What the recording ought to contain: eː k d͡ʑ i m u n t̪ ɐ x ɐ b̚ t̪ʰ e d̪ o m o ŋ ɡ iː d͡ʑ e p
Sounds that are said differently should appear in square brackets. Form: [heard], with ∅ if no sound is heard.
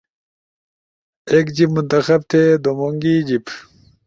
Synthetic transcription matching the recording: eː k d͡ʑ i m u n t̪ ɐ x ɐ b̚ t̪ʰ e d̪ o m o ŋ ɡ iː d͡ʑ [i] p